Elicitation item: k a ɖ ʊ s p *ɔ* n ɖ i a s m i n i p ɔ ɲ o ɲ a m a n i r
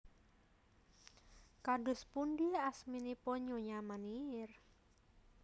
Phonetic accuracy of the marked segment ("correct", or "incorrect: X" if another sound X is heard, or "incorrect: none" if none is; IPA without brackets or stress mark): incorrect: u